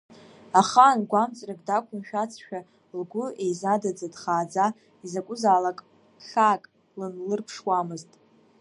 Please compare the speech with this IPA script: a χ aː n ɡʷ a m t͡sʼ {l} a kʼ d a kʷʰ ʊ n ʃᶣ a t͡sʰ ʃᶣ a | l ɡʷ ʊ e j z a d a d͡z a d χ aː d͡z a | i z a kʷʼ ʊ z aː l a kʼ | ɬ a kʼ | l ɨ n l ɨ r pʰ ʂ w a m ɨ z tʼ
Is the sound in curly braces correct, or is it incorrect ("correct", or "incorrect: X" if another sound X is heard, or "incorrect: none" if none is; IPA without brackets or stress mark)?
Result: incorrect: r